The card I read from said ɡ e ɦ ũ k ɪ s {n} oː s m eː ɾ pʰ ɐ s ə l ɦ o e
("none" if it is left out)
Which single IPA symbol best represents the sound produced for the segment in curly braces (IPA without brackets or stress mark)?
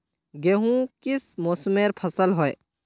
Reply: m